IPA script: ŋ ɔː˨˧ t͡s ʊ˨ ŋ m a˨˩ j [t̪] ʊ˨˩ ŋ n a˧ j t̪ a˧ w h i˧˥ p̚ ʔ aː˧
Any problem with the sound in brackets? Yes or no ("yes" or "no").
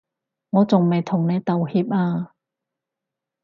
yes